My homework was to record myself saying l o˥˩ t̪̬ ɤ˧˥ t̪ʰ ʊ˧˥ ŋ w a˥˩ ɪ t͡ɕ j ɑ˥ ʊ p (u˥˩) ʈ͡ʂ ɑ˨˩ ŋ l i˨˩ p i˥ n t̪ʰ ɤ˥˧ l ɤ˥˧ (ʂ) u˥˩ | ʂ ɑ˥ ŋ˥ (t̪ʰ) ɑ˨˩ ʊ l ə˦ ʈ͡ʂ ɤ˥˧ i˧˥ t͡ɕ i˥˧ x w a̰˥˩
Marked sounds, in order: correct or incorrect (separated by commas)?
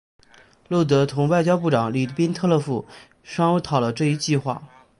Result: correct, incorrect, correct